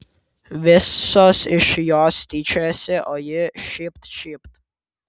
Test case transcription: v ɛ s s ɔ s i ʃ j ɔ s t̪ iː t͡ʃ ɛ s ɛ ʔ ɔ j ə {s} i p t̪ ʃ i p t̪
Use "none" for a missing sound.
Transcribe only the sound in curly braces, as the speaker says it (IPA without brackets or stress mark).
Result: ʃ